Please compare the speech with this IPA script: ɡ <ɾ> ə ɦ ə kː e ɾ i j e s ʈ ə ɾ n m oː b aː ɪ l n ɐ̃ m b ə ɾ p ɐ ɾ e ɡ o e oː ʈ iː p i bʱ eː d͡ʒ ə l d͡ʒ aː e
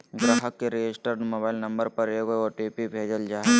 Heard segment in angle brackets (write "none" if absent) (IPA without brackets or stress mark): ɾ